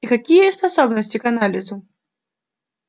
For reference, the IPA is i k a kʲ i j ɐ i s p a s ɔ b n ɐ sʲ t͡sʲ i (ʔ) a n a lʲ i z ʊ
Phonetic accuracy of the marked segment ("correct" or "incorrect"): incorrect